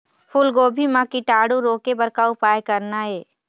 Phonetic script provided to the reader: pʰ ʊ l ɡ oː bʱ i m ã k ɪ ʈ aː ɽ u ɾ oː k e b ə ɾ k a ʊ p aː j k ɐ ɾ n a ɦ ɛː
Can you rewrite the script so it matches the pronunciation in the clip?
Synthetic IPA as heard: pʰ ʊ l ɡ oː bʱ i m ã k i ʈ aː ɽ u ɾ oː k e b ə ɾ k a ʊ p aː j k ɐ ɾ n a ɦ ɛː